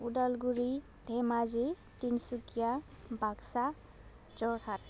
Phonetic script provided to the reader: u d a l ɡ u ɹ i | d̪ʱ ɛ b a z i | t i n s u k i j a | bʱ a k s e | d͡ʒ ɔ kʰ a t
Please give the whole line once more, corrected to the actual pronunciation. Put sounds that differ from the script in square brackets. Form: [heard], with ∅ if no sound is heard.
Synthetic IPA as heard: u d a l ɡ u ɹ i | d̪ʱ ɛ [m] a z i | t i n s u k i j a | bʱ a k s [a] | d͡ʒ ɔ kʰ a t